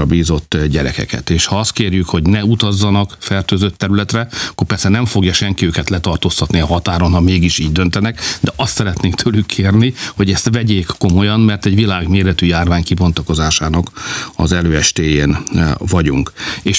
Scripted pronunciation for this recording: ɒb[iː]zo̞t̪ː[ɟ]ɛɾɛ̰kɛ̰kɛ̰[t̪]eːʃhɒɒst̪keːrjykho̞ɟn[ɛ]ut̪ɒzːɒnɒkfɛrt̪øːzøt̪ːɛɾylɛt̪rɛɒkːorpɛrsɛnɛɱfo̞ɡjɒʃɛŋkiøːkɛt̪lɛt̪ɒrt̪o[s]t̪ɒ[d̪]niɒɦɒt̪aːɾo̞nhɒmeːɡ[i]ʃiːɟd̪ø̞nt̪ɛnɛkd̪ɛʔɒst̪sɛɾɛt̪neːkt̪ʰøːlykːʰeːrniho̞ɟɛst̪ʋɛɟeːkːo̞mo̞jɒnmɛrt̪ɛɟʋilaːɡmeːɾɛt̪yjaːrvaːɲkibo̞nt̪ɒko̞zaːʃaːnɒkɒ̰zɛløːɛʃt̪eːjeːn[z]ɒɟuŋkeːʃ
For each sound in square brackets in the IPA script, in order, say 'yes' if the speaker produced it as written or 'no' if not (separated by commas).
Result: yes, yes, yes, yes, yes, no, yes, no